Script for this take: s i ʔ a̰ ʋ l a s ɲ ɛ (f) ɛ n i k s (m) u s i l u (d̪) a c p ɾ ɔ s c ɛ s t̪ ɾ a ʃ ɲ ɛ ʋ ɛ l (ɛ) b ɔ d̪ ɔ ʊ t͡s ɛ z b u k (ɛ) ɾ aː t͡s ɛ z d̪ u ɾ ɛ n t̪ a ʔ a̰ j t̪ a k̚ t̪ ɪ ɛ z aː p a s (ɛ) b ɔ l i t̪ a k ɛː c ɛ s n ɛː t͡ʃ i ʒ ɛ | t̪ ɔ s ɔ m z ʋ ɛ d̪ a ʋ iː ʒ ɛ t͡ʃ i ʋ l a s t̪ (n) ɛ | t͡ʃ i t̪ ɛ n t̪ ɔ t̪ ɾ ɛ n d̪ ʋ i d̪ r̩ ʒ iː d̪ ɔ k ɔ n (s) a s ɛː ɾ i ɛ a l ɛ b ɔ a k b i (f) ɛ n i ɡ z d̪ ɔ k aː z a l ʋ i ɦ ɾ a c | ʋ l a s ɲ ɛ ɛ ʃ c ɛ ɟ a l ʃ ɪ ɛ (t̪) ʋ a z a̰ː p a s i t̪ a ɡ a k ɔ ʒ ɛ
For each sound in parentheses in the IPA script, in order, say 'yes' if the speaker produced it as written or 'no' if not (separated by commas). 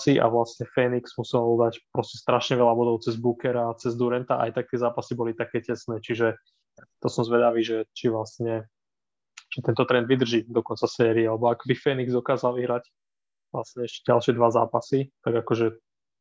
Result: yes, yes, yes, no, yes, no, no, no, yes, no